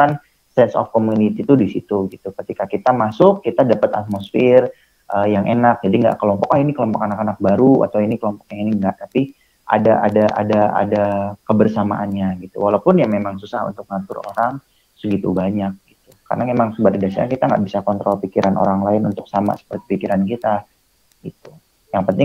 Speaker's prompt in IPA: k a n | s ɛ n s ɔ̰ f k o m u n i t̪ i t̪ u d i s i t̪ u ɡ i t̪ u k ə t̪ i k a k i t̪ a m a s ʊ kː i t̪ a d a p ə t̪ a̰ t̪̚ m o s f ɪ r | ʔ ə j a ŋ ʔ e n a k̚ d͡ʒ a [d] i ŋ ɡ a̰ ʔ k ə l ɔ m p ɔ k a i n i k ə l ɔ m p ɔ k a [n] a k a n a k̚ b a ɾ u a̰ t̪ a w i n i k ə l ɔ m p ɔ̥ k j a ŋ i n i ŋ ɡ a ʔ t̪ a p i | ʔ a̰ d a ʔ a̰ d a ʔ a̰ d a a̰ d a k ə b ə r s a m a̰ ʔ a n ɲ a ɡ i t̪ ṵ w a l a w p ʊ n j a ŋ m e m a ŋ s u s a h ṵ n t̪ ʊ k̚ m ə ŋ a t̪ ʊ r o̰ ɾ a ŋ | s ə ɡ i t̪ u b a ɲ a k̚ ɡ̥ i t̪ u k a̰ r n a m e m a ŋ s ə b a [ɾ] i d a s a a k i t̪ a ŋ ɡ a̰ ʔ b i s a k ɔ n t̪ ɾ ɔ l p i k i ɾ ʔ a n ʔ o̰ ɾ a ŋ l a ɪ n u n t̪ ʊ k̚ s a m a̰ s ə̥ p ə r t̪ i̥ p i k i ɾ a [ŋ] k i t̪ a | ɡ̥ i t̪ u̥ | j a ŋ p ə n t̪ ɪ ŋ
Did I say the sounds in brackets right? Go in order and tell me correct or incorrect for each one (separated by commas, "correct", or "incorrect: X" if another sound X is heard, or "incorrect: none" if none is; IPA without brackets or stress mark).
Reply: correct, correct, correct, incorrect: n